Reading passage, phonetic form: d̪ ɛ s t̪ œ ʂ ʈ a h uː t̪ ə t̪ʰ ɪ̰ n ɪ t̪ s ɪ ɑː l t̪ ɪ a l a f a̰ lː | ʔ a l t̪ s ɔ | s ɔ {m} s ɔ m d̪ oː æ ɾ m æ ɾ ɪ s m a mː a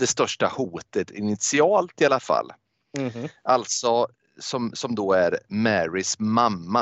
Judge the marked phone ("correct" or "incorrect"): correct